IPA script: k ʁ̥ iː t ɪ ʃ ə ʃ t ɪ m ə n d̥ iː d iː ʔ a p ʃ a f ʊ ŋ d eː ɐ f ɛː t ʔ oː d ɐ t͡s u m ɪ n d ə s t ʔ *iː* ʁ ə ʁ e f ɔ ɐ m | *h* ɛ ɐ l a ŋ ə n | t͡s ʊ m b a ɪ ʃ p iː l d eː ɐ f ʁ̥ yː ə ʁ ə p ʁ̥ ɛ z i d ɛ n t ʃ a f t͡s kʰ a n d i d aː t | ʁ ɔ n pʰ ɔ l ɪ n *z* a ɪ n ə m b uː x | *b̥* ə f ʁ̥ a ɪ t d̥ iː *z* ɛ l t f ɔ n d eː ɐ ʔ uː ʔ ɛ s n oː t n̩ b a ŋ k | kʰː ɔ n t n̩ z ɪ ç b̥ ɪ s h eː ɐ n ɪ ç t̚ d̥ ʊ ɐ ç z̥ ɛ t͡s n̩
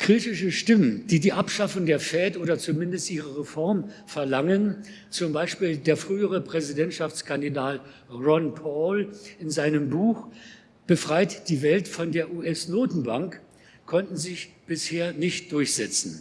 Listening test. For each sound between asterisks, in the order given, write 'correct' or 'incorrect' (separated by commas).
correct, incorrect, correct, correct, incorrect